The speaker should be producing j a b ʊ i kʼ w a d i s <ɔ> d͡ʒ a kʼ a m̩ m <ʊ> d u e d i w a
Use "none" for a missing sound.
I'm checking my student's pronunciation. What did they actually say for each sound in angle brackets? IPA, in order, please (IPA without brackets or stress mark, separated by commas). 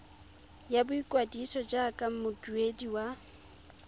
ɔ, ʊ